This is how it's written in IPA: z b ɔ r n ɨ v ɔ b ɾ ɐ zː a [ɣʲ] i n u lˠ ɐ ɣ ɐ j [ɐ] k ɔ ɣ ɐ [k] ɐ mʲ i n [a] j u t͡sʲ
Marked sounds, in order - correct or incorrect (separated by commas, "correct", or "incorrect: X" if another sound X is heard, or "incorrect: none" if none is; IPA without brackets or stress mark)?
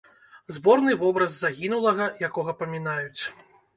correct, incorrect: a, incorrect: p, correct